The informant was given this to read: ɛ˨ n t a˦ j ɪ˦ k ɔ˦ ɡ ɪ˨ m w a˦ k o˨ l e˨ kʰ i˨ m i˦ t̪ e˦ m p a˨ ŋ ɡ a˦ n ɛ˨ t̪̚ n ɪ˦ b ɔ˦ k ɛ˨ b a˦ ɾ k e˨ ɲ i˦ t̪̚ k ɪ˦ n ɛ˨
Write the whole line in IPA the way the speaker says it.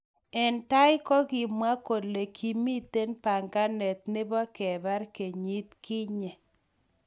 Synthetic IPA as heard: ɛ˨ n t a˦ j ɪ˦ k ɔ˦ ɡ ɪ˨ m w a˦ k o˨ l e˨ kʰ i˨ m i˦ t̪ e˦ n p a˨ ŋ ɡ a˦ n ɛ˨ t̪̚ n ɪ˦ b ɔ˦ k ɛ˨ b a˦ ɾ k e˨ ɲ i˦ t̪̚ k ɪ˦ ɲ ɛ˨